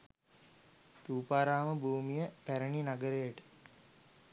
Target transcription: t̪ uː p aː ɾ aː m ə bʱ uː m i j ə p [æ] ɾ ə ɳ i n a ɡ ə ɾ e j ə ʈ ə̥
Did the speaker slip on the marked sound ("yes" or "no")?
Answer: no